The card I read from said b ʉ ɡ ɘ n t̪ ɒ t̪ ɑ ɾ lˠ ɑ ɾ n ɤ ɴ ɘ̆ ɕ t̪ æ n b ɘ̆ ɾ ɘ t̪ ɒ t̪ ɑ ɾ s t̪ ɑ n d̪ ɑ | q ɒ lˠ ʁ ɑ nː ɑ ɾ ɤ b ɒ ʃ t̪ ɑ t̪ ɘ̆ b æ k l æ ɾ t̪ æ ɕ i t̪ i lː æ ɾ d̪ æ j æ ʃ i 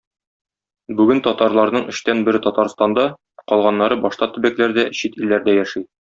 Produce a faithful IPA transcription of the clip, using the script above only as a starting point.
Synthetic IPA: b ʉ ɡ ɘ n t̪ ɒ t̪ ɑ ɾ lˠ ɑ ɾ n ɤ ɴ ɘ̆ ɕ t̪ æ n b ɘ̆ ɾ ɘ t̪ ɒ t̪ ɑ ɾ s t̪ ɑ n d̪ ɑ | q ɒ lˠ ʁ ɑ nː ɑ ɾ ɤ b ɒ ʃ t̪ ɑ t̪ ɘ̆ b æ k l æ ɾ d̪ æ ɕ i t̪ i lː æ ɾ d̪ æ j æ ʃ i